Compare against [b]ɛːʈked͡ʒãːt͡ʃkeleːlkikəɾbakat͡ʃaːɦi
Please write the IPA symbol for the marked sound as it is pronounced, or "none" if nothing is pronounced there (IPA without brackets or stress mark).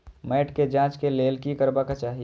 m